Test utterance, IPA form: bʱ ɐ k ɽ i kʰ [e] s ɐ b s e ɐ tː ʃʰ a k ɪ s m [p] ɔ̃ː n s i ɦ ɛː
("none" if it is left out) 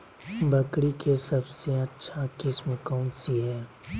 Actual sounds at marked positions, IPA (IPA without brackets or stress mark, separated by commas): e, k